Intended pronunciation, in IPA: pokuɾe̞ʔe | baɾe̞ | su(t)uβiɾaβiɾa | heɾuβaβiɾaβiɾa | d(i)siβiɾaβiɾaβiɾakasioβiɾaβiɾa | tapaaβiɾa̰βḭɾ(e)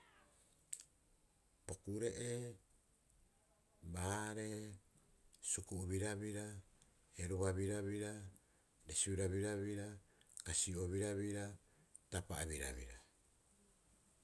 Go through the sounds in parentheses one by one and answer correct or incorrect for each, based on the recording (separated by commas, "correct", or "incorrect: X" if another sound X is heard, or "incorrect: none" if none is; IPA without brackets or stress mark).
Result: incorrect: k, incorrect: e, incorrect: a